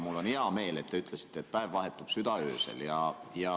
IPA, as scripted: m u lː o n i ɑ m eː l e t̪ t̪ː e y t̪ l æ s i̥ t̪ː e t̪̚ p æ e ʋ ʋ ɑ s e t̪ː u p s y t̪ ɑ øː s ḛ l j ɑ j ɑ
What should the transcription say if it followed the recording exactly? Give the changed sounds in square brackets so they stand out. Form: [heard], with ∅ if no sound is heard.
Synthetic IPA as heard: m u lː o n i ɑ m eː l e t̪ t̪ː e y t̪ l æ s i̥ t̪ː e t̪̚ p æ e ʋ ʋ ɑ [h] e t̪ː u p s y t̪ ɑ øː s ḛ l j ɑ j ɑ